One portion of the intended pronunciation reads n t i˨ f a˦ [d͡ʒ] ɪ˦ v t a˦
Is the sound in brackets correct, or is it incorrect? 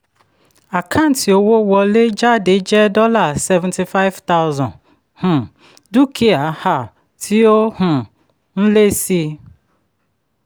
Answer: incorrect